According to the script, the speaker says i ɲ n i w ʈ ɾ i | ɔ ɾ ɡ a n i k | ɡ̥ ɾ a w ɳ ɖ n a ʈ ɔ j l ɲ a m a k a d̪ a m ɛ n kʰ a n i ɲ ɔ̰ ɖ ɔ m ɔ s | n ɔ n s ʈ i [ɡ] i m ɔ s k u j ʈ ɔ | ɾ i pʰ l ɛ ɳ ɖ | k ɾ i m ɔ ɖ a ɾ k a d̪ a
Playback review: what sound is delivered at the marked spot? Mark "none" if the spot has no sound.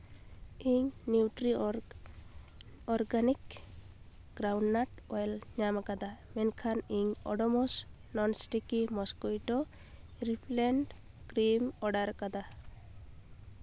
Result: k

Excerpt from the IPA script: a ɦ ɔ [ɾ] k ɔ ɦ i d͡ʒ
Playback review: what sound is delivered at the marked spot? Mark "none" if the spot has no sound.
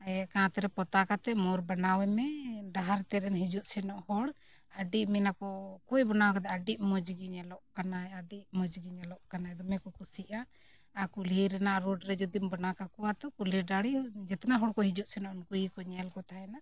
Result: ɽ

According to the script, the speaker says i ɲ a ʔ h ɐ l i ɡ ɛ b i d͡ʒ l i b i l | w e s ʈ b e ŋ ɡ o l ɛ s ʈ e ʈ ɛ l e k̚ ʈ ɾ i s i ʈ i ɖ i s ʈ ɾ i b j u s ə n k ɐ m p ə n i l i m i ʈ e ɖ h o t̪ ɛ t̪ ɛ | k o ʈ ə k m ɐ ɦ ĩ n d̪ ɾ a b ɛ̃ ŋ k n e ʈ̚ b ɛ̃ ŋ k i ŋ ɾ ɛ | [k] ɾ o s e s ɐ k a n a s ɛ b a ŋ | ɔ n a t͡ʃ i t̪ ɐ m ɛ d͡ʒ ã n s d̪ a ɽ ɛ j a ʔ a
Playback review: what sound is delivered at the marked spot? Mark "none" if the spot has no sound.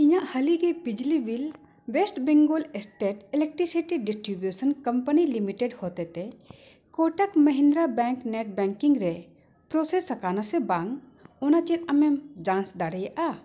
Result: p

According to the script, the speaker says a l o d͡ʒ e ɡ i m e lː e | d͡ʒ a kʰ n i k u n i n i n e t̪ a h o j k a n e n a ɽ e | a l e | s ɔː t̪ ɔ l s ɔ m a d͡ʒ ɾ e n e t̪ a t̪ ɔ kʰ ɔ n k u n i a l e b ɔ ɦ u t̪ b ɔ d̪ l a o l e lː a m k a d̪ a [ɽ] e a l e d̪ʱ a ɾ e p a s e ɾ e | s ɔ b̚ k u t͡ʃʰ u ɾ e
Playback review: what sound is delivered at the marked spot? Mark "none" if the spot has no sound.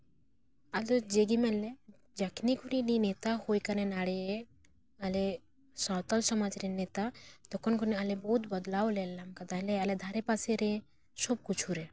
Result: l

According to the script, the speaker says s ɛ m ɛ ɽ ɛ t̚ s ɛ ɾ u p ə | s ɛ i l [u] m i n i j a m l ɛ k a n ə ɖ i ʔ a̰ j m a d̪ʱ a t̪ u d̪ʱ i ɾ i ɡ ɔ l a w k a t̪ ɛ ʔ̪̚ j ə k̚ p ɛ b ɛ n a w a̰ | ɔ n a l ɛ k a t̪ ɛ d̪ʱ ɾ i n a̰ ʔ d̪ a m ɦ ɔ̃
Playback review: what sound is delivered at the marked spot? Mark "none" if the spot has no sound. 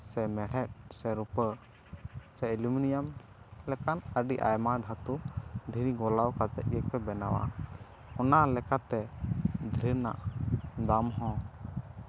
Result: u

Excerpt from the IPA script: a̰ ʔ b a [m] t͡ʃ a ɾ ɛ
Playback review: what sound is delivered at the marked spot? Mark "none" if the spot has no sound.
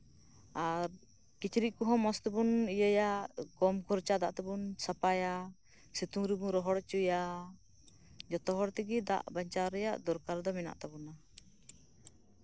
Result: ɲ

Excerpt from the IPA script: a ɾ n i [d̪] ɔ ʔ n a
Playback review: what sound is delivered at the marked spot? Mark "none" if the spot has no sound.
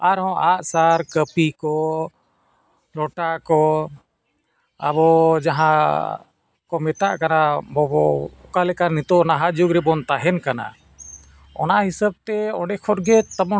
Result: t̪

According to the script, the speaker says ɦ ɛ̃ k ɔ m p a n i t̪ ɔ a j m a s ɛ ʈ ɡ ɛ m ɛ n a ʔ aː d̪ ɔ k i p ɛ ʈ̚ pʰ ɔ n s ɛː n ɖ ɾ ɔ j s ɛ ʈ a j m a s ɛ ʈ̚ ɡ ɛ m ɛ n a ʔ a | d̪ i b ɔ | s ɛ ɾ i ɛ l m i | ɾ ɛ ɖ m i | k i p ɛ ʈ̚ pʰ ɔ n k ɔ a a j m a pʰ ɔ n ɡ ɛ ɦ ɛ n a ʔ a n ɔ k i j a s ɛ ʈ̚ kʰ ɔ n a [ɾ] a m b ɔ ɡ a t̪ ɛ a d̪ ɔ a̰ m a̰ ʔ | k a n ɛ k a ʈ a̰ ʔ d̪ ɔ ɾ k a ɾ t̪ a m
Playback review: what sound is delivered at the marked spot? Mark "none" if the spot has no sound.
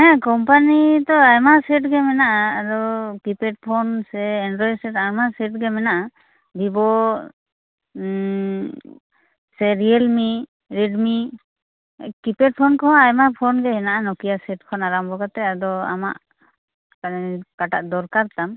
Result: ɾ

